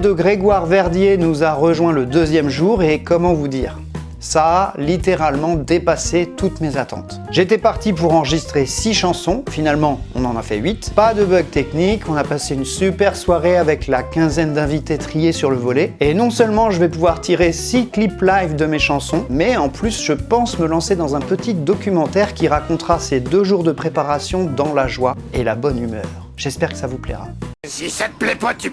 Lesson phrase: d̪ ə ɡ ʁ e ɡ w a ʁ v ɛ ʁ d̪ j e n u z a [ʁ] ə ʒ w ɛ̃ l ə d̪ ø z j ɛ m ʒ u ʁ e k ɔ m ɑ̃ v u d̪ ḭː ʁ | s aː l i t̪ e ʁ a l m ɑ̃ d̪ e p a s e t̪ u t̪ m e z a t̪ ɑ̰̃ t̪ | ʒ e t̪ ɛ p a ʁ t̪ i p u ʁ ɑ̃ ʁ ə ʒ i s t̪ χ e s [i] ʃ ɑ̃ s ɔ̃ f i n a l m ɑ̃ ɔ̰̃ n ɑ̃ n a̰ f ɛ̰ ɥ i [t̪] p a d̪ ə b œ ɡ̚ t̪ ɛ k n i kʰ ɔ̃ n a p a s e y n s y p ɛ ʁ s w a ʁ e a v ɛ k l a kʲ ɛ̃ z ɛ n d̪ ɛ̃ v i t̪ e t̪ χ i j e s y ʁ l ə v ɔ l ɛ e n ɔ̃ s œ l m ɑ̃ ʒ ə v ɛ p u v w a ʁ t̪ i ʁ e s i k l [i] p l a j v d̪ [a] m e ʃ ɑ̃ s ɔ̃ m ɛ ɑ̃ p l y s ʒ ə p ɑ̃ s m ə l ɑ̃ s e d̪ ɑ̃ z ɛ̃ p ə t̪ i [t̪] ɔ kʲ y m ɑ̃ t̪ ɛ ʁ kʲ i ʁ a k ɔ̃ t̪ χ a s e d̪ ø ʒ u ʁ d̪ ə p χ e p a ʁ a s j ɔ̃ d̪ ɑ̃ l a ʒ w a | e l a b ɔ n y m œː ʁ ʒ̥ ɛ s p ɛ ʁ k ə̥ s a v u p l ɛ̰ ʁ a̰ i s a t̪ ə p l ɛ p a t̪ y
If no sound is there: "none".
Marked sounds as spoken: ʁ, i, t̪, i, ə, d̪

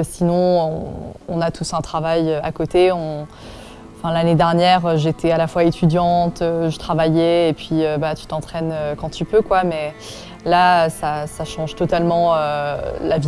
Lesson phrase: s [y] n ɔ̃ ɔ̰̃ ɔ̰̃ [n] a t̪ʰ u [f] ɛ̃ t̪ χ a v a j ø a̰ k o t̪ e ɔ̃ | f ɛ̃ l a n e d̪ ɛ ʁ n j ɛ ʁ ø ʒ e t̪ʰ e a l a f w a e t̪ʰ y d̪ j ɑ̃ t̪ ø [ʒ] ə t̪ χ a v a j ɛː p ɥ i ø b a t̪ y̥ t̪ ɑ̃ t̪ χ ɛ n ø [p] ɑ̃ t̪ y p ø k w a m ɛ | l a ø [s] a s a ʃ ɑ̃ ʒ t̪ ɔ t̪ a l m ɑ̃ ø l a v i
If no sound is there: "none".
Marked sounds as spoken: i, n, s, ʒ, k, s

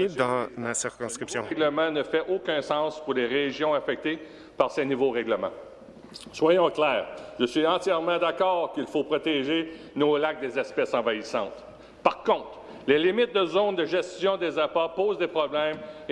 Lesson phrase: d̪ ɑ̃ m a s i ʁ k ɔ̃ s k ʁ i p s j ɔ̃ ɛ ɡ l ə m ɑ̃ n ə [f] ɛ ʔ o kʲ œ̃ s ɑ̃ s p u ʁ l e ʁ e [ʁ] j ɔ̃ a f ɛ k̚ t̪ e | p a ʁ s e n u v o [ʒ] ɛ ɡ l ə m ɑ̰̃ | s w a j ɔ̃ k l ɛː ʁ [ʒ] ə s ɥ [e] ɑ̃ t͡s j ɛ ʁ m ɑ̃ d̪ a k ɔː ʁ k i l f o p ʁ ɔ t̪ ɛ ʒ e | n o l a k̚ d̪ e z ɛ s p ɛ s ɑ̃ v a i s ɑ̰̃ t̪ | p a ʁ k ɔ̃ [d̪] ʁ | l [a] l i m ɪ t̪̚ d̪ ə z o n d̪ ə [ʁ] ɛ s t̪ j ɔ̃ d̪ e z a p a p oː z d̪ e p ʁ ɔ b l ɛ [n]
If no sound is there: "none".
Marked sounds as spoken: f, ʒ, ʁ, ʒ, i, t̪, e, ʒ, m

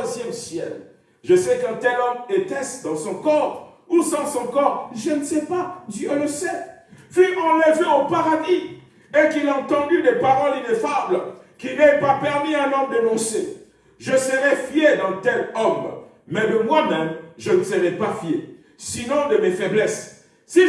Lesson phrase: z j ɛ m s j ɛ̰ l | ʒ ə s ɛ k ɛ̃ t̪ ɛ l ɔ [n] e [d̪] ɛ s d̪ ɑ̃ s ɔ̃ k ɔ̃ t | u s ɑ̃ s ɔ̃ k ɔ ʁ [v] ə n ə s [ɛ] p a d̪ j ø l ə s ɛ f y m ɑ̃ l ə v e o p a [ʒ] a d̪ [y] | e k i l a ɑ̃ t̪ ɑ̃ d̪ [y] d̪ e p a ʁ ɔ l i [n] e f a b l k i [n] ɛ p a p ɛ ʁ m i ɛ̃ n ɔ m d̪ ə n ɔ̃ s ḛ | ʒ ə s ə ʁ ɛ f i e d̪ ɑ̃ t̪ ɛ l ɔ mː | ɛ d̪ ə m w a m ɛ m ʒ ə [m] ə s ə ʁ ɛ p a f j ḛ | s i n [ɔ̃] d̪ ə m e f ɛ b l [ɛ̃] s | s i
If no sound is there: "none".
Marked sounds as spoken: m, t̪, ʒ, ɛ, ʁ, i, y, n, n, n, ɔ̃, ɛ

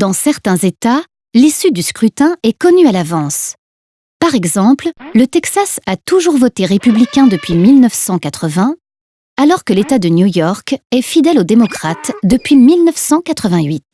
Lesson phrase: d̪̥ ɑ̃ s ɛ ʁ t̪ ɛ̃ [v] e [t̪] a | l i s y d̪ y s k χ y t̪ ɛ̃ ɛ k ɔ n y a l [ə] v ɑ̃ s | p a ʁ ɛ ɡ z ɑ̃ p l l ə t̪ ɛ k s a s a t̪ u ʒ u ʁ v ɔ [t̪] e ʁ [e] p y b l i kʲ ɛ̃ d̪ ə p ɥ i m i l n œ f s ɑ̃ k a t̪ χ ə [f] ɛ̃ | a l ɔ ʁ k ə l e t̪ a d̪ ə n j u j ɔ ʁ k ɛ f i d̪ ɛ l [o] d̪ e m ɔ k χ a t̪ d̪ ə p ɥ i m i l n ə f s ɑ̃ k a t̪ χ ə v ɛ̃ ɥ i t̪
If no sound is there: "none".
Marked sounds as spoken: z, t̪, a, t̪, e, v, o

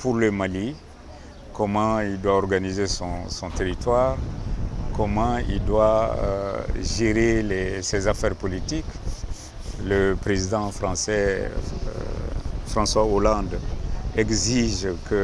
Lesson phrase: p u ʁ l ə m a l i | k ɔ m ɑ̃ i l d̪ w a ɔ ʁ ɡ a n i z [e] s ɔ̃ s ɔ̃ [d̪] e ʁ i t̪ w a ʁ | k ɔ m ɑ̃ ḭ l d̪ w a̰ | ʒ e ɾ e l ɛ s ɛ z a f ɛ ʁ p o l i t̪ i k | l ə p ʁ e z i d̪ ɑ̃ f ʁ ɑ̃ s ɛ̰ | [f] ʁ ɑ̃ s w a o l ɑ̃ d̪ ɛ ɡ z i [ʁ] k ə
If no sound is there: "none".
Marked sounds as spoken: e, t̪, f, ʒ

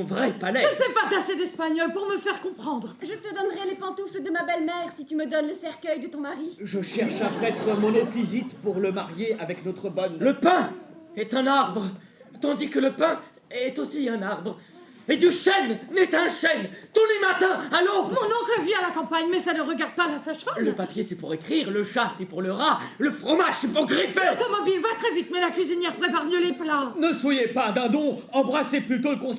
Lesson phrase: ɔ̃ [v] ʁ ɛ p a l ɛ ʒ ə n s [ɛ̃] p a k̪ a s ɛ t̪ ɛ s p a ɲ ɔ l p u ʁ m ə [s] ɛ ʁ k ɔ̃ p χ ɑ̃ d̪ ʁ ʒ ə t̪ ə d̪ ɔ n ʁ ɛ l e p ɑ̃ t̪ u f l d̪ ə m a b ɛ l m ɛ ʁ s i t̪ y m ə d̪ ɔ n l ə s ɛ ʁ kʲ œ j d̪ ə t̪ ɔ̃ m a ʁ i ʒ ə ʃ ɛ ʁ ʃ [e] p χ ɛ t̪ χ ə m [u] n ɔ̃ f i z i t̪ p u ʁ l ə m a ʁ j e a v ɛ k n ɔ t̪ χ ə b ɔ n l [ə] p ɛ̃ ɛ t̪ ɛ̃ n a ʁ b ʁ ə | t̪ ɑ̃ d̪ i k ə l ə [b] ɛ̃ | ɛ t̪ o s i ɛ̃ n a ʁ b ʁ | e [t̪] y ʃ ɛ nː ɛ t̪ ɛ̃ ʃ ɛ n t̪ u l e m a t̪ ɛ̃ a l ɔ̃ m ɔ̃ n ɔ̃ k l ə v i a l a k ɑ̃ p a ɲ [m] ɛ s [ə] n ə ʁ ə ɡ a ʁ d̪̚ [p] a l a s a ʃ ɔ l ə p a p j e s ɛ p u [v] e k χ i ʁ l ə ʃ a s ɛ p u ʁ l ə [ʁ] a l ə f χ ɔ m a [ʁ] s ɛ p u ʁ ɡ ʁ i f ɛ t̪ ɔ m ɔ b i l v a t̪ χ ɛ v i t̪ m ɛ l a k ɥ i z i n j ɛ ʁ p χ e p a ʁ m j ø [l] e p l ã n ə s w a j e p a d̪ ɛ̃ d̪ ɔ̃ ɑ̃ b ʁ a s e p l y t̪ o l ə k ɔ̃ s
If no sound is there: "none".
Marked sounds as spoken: v, ɛ, f, a, ɔ, ə, p, d̪, m, a, p, ʁ, ʁ, ʒ, l

